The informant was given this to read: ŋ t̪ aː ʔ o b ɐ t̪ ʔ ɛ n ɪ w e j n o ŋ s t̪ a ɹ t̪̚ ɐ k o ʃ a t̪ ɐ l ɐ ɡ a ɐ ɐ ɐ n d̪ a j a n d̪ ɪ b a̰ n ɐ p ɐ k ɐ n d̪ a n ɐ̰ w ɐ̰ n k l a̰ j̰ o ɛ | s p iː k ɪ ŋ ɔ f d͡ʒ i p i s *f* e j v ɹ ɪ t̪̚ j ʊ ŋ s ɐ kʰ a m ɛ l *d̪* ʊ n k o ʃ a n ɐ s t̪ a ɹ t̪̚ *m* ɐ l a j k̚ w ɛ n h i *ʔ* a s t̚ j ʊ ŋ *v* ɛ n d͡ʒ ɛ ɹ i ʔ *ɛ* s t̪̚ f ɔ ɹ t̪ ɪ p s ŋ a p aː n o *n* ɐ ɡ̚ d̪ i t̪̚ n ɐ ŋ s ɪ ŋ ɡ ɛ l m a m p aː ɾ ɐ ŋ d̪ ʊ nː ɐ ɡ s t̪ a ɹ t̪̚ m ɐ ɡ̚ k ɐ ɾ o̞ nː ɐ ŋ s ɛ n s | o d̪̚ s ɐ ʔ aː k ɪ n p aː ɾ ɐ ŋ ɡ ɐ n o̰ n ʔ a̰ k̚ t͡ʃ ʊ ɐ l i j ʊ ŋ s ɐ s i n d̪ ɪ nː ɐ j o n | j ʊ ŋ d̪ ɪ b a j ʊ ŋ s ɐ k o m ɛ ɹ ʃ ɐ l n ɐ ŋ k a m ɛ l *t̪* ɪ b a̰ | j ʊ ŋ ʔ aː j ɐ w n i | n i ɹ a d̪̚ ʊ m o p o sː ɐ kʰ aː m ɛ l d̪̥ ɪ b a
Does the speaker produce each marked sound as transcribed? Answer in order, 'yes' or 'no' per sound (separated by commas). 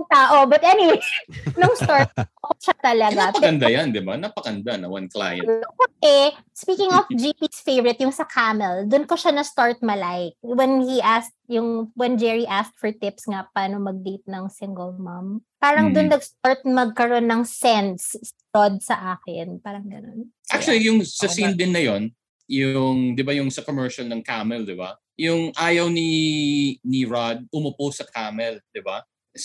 yes, yes, yes, yes, no, no, no, no